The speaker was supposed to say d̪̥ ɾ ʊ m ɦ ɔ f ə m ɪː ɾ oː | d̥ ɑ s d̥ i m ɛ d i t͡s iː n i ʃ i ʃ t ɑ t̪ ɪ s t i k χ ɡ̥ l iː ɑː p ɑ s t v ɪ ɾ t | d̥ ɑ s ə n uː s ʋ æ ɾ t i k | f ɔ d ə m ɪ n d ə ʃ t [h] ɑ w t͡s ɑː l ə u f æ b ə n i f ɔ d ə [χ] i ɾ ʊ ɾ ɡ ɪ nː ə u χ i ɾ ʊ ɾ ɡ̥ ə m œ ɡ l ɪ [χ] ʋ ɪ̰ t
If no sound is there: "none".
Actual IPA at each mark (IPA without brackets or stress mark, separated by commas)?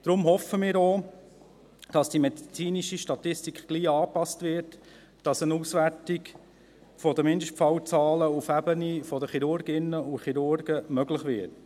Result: f, χ, χ